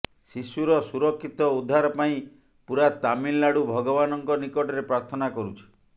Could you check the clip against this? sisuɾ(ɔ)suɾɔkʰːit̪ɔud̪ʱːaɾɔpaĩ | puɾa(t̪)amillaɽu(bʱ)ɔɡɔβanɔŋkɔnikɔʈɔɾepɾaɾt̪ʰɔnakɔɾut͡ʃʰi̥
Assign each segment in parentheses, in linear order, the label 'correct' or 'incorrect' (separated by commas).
correct, correct, correct